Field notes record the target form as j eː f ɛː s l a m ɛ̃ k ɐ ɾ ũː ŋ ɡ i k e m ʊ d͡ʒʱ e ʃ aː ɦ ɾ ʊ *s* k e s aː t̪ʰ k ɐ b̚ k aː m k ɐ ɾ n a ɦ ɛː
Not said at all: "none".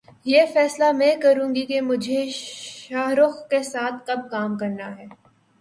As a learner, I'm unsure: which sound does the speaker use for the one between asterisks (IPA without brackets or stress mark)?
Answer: x